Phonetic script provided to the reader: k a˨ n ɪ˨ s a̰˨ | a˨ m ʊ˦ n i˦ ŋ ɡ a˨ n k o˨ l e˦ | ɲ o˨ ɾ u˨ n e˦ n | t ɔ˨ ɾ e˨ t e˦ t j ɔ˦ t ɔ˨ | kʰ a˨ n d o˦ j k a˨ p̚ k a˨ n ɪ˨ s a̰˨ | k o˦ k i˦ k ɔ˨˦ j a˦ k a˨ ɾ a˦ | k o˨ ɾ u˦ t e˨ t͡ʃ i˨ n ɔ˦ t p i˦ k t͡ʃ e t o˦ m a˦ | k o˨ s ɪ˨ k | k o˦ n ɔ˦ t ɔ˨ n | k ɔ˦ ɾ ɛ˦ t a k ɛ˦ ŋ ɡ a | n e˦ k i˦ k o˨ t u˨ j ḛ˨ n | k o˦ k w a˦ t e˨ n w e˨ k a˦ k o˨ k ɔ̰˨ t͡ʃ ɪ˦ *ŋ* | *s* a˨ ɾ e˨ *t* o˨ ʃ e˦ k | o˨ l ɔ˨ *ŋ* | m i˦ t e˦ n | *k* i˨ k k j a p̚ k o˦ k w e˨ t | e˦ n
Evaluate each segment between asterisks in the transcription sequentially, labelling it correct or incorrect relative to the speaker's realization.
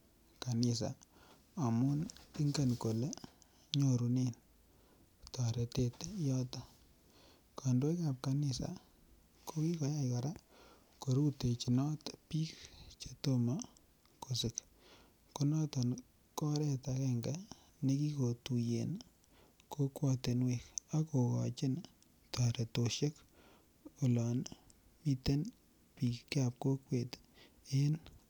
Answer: incorrect: n, incorrect: t, correct, incorrect: n, incorrect: p

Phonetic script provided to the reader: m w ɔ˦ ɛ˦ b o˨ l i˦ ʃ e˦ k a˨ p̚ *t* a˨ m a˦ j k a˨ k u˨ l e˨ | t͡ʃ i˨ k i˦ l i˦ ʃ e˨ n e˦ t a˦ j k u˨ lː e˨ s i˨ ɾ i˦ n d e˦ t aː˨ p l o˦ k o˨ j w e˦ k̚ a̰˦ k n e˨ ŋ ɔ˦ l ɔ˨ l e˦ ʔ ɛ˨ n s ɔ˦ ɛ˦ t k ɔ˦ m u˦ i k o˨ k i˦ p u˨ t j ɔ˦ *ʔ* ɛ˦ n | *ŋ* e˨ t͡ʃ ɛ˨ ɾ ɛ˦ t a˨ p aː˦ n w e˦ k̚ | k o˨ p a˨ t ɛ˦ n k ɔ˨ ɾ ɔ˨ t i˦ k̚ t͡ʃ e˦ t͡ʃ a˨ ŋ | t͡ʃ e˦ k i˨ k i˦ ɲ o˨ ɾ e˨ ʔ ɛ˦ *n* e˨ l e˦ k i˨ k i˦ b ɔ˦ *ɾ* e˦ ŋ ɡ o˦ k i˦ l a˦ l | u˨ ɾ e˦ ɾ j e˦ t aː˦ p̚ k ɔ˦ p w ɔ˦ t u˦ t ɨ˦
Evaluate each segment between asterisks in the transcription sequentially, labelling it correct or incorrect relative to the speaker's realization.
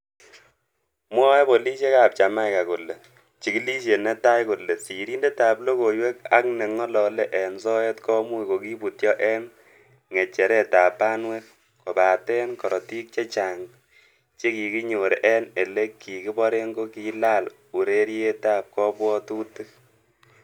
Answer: incorrect: t͡ʃ, correct, correct, correct, correct

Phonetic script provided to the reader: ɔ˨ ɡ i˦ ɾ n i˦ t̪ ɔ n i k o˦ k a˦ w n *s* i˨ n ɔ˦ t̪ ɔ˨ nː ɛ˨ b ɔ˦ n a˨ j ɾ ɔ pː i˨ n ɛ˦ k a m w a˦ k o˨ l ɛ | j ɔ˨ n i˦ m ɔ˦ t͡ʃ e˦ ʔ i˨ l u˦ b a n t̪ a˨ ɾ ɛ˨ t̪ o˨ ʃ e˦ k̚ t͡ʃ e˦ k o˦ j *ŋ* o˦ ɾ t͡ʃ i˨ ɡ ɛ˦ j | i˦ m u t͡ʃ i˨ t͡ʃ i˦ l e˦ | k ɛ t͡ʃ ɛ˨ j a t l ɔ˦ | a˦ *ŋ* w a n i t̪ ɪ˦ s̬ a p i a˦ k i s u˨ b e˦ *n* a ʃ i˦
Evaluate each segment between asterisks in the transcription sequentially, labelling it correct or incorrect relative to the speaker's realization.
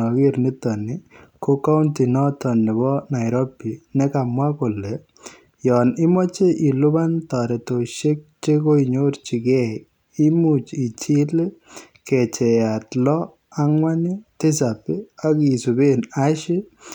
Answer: incorrect: t, incorrect: ɲ, correct, correct

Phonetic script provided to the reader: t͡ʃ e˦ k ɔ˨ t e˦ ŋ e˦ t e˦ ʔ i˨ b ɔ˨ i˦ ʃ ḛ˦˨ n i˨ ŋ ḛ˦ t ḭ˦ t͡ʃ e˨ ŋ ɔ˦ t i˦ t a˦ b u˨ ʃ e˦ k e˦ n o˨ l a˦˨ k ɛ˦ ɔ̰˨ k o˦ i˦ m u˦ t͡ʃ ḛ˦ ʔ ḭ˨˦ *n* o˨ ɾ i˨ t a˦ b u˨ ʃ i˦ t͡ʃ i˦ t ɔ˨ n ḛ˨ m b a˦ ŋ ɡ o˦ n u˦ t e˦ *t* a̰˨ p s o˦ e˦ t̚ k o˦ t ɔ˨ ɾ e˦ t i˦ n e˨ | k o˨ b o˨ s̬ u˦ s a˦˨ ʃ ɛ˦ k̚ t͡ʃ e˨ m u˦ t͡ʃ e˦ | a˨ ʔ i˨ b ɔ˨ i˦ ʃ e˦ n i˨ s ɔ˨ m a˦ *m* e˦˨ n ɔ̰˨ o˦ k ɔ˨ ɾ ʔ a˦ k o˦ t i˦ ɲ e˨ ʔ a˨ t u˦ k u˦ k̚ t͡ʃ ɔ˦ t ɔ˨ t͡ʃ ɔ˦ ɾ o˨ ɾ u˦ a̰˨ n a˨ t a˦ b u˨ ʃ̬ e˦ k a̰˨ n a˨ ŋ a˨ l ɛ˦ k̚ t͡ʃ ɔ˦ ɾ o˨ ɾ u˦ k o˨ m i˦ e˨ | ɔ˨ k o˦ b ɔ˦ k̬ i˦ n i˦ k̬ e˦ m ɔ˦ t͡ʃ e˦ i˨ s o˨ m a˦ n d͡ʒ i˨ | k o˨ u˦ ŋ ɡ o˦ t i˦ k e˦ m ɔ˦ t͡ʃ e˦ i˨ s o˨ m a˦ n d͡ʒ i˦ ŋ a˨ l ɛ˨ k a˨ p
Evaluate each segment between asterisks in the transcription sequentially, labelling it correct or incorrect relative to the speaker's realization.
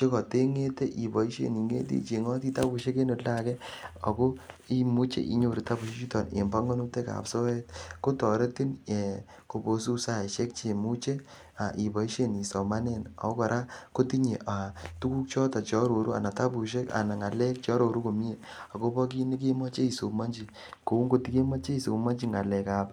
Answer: incorrect: ɲ, incorrect: k, incorrect: n

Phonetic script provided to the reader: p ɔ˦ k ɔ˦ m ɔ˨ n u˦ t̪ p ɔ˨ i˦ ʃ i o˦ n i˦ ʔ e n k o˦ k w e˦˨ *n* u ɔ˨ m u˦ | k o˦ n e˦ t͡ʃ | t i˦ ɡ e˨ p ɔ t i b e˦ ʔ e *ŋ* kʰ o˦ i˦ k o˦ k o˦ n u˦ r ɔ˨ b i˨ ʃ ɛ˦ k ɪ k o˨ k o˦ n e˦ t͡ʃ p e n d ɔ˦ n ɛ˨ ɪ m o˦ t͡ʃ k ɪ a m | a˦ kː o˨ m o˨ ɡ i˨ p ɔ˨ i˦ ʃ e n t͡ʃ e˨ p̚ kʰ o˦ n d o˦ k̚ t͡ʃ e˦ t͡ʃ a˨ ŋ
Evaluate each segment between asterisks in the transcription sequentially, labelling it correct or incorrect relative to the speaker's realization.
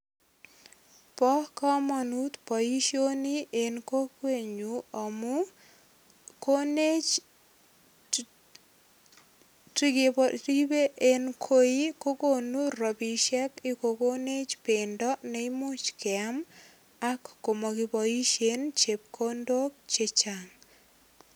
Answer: incorrect: ɲ, incorrect: n

